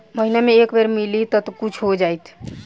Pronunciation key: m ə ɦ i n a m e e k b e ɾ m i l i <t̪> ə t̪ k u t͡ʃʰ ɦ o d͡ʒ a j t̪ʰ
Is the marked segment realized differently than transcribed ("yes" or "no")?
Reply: no